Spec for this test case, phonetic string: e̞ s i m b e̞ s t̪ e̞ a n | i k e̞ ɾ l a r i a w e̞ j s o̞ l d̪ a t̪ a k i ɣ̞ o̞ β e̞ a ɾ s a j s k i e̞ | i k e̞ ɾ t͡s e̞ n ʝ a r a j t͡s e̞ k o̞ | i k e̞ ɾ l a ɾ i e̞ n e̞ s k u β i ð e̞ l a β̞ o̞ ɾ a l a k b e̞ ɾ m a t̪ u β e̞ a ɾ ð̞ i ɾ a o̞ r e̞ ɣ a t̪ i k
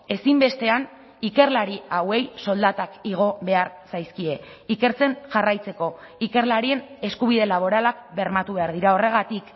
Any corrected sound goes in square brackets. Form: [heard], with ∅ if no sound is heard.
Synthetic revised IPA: e̞ s i m b e̞ s t̪ e̞ a n | i k e̞ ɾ l a [ɾ] i a w e̞ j s o̞ l d̪ a t̪ a k i ɣ̞ o̞ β e̞ a ɾ s a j s k i e̞ | i k e̞ ɾ t͡s e̞ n ʝ a r a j t͡s e̞ k o̞ | i k e̞ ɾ l a ɾ i e̞ n e̞ s k u β i ð e̞ l a β̞ o̞ ɾ a l a k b e̞ ɾ m a t̪ u β e̞ a ɾ ð̞ i ɾ a o̞ r e̞ ɣ a t̪ i k